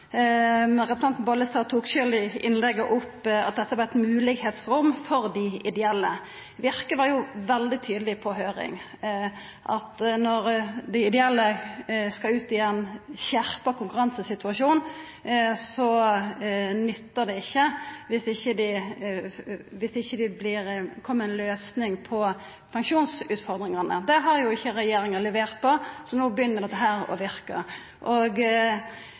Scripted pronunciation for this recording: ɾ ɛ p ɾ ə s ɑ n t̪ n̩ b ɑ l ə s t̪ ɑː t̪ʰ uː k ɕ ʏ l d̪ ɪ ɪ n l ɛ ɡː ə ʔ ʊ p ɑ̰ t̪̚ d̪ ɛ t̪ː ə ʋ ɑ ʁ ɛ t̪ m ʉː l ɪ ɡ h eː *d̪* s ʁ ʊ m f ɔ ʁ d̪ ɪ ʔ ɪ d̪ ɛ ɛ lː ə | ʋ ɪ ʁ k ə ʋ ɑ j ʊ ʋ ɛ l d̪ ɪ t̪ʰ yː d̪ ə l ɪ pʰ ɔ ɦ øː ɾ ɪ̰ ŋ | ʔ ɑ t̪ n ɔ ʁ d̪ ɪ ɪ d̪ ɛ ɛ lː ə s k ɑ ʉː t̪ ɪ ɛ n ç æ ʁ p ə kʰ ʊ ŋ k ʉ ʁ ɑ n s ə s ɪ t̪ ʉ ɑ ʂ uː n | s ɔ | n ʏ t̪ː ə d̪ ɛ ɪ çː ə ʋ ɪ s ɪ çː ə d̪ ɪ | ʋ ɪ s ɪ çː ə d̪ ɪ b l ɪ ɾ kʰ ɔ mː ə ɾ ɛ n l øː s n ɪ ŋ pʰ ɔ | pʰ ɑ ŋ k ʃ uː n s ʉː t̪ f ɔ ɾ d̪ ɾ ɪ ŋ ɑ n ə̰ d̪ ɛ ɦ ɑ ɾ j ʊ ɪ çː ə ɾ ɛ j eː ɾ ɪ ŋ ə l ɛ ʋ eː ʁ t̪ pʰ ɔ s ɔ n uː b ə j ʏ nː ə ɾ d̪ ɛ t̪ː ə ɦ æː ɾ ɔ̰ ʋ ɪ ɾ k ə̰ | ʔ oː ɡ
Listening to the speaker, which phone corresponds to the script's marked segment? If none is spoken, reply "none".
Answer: t̪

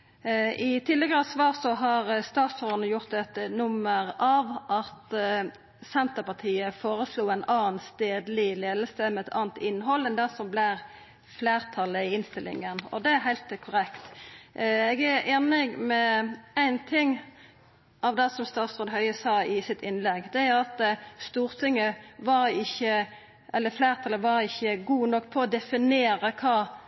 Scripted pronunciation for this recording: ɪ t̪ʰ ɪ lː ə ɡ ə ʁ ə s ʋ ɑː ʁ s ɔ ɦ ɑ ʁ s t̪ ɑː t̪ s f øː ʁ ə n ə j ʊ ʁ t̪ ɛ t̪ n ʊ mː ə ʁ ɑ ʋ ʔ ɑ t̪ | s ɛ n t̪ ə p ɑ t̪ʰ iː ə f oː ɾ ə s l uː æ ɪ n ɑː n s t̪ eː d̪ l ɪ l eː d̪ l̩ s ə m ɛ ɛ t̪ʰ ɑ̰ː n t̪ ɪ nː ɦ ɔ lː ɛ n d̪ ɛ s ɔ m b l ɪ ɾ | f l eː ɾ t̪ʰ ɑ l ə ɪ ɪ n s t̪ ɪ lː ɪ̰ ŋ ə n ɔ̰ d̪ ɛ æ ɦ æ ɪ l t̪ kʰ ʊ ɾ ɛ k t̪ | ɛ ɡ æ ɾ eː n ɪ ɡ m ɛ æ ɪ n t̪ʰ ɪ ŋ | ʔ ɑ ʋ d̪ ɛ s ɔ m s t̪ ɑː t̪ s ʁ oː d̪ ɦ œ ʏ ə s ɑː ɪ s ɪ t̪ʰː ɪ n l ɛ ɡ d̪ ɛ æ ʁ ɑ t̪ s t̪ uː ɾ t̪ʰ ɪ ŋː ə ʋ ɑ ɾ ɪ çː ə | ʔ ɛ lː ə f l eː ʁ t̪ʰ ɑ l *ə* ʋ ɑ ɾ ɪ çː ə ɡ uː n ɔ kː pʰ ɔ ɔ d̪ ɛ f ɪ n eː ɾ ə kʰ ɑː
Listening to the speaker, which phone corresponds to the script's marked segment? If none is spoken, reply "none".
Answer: ə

